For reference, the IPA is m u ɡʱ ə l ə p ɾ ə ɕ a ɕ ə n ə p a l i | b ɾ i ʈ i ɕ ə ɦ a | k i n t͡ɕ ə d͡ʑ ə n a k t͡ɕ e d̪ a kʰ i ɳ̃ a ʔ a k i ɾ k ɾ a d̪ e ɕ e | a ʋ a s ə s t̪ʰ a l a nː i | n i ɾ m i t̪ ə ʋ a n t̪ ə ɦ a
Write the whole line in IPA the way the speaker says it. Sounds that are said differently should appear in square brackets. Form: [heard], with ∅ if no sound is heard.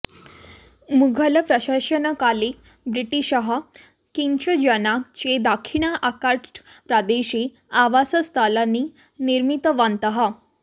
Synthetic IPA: m u ɡʱ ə l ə p ɾ ə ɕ a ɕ ə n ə [k] a l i | b ɾ i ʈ i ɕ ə ɦ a | k i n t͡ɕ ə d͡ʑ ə n a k t͡ɕ e d̪ a kʰ i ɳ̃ a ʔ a k [a] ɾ [p] ɾ a d̪ e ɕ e | a ʋ a s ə s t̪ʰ a l a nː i | n i ɾ m i t̪ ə ʋ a n t̪ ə ɦ a